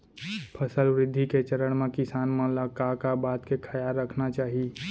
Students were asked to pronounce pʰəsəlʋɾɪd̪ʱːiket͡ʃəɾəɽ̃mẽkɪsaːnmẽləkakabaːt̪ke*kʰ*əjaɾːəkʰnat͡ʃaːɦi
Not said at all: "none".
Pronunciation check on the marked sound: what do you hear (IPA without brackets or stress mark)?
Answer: kʰ